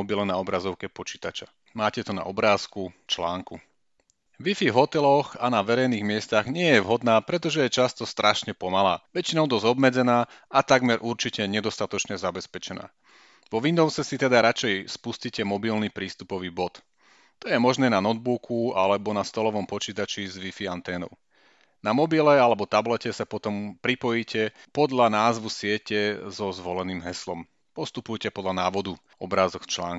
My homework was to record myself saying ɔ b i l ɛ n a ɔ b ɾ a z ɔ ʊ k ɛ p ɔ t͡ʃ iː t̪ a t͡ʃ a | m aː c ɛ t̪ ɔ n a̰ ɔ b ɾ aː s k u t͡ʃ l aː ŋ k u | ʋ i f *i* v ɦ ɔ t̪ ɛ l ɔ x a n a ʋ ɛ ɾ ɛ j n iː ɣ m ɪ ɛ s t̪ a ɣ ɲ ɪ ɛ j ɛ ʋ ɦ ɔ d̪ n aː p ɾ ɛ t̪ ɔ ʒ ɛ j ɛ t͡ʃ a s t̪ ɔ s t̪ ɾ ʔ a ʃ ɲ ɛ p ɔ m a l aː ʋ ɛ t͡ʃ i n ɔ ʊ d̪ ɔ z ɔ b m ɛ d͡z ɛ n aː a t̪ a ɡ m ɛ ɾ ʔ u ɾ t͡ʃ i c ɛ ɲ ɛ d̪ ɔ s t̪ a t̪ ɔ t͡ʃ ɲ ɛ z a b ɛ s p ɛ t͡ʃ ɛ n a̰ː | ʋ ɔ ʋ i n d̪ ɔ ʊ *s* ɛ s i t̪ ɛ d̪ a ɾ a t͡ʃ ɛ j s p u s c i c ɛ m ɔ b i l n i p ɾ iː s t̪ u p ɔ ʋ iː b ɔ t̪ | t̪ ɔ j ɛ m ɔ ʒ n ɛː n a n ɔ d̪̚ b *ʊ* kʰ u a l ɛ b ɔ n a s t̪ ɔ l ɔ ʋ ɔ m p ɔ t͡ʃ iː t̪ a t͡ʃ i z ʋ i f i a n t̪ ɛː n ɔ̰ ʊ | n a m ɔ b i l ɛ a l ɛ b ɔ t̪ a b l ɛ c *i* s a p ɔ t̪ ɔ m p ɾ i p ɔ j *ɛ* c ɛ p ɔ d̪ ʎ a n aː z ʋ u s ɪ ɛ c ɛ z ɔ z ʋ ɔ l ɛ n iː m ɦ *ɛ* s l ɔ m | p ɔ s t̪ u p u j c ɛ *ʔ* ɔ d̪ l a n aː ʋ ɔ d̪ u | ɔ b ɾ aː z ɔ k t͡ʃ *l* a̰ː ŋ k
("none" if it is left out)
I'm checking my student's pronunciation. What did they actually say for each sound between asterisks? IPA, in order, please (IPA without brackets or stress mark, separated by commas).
i, s, u, ɛ, i, ɛ, p, l